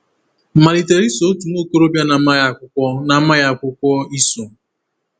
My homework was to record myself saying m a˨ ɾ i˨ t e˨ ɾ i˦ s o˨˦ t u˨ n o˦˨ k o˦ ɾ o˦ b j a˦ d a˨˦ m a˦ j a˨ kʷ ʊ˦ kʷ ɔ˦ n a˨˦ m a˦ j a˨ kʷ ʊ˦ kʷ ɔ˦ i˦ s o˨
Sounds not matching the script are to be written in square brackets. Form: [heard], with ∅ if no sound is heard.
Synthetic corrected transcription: m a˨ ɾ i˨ t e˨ ɾ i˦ s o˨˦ t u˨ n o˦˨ k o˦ ɾ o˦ b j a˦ [n] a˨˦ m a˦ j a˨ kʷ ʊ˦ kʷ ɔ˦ n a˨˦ m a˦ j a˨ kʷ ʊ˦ kʷ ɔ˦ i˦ s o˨